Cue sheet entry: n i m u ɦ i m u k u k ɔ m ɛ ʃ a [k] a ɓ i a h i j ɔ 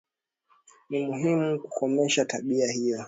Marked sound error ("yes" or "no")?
yes